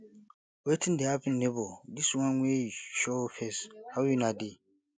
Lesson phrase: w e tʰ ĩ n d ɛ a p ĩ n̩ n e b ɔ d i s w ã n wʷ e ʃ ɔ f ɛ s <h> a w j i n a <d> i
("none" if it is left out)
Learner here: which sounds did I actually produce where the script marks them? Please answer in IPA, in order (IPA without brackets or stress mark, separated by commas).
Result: h, d